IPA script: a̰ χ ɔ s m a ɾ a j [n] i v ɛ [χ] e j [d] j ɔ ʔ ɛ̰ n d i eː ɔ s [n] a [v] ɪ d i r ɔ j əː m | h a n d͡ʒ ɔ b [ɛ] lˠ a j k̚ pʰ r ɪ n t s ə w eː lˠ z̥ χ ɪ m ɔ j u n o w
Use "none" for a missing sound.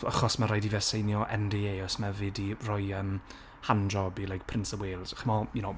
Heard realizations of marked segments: d, s, n, m, v, i

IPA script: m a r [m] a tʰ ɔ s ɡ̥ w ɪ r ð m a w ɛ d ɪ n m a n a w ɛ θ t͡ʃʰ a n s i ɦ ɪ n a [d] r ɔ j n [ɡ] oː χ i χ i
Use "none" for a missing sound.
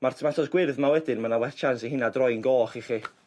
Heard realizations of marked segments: m, d, ɡ

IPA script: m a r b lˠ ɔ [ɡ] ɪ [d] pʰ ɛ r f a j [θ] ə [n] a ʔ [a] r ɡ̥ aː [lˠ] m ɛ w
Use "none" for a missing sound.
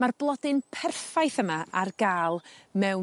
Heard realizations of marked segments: d, n, θ, m, a, lˠ

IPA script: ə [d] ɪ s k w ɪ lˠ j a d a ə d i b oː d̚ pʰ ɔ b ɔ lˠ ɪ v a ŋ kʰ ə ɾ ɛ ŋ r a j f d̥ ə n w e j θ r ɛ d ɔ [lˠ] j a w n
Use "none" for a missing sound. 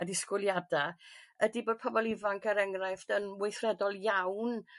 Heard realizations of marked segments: d, lˠ

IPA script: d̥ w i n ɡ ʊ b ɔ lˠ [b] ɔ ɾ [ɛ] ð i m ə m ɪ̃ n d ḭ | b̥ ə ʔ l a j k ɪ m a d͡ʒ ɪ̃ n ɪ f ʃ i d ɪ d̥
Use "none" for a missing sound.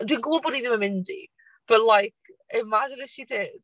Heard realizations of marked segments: b, i

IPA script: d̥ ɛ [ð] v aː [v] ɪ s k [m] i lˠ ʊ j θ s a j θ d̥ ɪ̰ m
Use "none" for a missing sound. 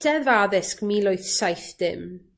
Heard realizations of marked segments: ð, ð, m

